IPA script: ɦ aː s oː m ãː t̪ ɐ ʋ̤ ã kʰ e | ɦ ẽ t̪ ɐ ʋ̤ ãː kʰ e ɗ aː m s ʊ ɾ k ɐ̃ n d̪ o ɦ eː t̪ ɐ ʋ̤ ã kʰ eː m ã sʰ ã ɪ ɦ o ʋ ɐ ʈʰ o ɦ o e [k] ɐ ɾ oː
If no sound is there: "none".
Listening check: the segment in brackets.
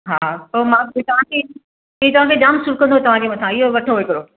k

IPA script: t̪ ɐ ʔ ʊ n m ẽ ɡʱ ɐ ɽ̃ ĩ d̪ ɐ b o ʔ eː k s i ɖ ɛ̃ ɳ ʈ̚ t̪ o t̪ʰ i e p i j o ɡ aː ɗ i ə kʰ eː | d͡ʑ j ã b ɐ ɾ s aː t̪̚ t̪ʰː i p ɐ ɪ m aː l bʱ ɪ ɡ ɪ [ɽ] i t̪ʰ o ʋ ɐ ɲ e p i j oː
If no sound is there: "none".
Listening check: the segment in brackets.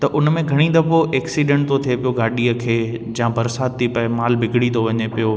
ɽ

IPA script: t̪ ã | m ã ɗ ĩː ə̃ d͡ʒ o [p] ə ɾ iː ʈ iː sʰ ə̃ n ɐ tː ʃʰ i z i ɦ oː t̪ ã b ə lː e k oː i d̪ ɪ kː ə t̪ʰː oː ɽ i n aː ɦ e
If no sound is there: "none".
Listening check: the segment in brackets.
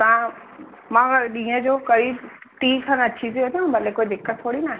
k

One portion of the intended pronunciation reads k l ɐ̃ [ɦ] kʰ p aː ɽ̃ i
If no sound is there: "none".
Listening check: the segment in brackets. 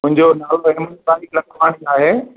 none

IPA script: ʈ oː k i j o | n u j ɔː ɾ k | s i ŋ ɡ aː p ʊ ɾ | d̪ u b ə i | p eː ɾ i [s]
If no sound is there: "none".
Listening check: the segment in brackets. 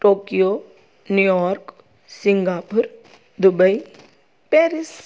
s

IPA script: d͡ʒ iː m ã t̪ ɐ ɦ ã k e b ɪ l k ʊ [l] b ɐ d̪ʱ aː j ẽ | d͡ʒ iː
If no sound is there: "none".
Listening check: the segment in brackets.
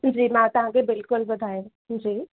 l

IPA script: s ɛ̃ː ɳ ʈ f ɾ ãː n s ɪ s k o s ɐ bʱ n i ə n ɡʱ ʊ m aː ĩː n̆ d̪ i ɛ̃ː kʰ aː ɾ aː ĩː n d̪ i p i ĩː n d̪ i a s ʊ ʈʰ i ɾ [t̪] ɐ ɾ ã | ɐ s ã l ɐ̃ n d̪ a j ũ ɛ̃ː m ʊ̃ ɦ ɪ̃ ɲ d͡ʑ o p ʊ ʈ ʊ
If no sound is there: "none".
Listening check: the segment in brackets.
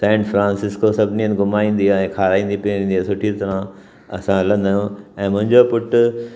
t̪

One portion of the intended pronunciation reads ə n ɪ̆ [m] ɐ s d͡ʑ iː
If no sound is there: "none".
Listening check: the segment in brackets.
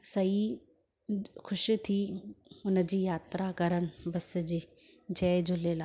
b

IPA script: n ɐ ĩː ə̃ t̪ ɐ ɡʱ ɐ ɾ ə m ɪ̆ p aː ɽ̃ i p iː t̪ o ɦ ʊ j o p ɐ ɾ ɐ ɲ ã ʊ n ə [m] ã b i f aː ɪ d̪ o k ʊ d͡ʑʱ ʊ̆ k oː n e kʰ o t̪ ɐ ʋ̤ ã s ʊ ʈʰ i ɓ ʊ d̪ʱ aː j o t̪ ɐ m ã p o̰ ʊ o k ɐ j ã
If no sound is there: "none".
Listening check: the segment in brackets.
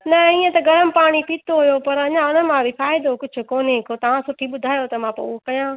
m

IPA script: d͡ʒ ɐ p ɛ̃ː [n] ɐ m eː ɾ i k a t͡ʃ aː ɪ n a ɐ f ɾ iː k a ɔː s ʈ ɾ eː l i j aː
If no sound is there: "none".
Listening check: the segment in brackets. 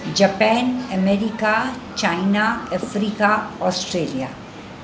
n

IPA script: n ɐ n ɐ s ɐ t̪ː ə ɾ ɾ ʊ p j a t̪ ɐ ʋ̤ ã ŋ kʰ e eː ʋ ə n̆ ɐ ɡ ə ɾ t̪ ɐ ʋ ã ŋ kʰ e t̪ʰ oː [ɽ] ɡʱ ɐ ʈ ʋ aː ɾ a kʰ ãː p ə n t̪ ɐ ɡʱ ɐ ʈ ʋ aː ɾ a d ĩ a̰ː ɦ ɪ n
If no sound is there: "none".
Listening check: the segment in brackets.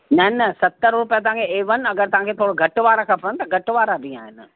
ɽ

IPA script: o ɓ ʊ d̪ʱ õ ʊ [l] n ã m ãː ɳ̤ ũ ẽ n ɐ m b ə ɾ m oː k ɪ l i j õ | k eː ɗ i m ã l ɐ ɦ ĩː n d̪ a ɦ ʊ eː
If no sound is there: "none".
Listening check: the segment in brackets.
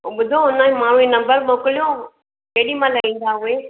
none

